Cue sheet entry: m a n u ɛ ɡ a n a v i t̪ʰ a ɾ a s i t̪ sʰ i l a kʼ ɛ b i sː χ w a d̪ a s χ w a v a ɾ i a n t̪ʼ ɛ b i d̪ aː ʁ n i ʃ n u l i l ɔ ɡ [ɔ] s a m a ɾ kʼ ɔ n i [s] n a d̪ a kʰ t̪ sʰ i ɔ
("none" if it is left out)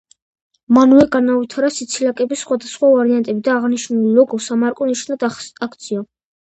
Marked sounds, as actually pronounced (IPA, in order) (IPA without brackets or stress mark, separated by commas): ɔ, ʃ